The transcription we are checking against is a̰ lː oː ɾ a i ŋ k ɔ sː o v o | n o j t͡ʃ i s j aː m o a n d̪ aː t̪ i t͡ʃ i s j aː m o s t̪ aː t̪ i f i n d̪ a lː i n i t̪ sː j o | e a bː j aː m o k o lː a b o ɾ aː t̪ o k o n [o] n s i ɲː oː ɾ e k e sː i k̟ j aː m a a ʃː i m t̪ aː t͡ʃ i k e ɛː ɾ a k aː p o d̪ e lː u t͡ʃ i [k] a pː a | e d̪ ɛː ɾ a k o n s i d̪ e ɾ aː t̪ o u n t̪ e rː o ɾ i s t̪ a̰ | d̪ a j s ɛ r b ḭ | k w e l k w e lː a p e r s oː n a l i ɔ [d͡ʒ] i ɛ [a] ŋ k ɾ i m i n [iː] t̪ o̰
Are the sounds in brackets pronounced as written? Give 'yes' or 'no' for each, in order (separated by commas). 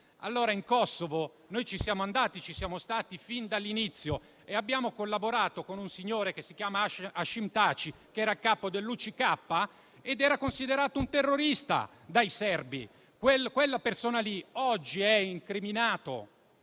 no, yes, no, no, no